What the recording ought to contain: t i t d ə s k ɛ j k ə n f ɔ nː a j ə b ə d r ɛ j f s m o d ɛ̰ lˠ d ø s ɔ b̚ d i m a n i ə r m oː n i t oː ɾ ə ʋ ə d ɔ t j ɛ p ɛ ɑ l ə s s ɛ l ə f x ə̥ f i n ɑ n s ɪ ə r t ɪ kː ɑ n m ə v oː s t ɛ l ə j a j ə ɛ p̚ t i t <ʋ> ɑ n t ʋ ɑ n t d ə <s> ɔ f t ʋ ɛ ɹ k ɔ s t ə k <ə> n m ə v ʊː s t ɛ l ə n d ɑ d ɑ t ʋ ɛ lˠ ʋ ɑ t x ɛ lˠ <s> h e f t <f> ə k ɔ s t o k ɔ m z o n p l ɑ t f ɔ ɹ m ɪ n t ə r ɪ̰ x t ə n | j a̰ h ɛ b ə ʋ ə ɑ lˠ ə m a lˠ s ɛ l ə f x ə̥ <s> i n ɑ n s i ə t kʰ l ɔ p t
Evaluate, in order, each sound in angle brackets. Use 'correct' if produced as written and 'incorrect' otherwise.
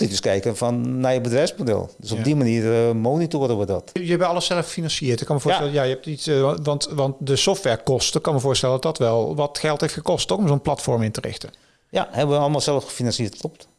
correct, correct, incorrect, incorrect, incorrect, incorrect

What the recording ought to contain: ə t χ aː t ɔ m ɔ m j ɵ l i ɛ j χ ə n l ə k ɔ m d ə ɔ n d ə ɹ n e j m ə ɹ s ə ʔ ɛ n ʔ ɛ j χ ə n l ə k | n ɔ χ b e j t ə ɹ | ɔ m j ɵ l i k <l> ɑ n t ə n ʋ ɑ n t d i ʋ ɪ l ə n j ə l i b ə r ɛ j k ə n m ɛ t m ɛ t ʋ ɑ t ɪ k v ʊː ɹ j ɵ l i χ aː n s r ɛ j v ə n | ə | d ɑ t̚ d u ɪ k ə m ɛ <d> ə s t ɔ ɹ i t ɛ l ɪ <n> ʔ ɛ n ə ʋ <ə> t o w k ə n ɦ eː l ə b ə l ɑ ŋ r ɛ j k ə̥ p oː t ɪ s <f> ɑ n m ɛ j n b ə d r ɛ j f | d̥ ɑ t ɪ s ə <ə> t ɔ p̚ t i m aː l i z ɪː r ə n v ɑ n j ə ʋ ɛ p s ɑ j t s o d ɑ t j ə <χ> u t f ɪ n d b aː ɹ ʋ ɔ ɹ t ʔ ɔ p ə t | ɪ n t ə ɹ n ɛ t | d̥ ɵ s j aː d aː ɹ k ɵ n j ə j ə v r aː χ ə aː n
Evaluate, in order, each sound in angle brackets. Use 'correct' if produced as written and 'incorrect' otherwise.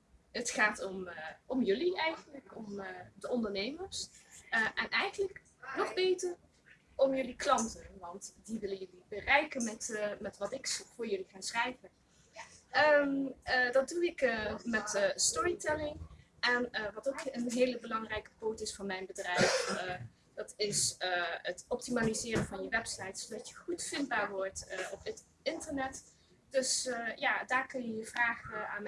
correct, incorrect, incorrect, incorrect, correct, correct, correct

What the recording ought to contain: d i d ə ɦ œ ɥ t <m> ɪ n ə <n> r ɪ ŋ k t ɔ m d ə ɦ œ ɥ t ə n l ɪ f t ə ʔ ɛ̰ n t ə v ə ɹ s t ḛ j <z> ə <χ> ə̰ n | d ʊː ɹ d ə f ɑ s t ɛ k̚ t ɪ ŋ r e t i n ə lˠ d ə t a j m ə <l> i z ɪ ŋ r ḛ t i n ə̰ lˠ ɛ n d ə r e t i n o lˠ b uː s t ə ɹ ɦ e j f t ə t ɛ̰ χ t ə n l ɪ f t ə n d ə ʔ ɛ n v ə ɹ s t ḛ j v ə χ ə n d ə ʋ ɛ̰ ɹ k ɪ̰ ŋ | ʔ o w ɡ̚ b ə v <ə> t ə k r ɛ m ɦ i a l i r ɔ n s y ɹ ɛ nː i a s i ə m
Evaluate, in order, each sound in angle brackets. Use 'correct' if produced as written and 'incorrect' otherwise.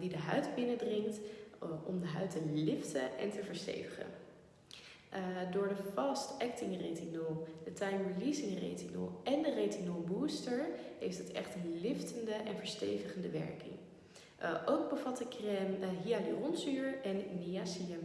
incorrect, incorrect, incorrect, correct, correct, incorrect

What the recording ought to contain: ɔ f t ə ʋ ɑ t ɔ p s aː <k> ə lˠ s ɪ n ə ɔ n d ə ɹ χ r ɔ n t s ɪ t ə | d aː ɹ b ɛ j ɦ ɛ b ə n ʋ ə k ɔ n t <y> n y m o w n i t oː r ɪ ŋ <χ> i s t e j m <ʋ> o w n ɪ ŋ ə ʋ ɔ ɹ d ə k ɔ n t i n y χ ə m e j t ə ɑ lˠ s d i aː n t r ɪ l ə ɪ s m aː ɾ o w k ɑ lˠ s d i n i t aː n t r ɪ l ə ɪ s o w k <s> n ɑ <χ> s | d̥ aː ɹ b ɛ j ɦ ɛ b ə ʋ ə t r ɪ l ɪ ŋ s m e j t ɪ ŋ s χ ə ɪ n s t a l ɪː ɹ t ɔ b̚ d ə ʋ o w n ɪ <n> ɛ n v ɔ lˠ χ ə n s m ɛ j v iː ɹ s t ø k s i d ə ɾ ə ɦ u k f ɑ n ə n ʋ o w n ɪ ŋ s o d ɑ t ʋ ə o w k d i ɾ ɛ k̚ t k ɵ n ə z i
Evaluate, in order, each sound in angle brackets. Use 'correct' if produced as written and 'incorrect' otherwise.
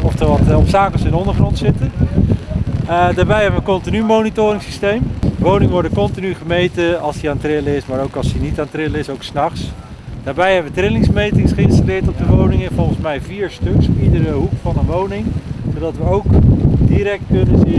correct, incorrect, incorrect, correct, correct, correct, incorrect

